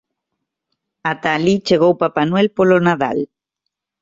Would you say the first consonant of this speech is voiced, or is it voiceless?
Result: voiceless